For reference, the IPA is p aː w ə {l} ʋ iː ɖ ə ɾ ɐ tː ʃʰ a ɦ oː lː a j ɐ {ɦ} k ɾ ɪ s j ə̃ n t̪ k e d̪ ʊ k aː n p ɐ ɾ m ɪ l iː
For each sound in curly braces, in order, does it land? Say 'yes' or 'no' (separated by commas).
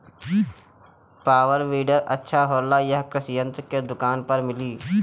no, yes